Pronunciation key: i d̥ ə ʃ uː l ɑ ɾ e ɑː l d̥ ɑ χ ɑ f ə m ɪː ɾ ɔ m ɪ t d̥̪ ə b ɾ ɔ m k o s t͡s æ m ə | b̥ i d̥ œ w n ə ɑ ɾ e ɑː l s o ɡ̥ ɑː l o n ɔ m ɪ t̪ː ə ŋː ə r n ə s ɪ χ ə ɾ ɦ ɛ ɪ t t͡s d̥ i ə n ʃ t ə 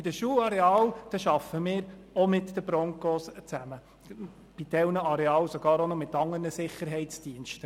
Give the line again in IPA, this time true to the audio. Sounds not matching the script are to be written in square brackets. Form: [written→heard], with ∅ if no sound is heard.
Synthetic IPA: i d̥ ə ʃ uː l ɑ ɾ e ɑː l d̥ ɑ [χ→ʃ] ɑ f ə m ɪː ɾ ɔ m ɪ t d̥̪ ə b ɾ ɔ [m→ŋ] k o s t͡s æ m ə | b̥ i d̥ [œ→ɛ] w n ə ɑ ɾ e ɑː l s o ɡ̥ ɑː [l→ɾ] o n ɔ m ɪ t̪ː [ə→ɑ] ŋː ə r n ə s ɪ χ ə ɾ ɦ ɛ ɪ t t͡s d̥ i ə n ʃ t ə